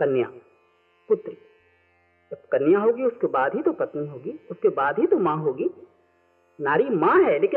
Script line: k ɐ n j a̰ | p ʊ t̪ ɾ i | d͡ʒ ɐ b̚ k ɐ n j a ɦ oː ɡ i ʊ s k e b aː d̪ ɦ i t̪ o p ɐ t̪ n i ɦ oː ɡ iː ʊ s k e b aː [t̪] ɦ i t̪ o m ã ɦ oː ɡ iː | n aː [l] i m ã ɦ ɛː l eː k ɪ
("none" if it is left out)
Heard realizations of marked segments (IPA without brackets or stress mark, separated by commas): d̪, ɾ